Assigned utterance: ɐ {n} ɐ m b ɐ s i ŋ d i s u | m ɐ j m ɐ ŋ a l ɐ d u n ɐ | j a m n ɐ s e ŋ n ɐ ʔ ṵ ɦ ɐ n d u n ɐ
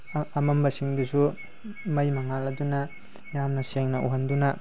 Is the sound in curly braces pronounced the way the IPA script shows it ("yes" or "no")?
no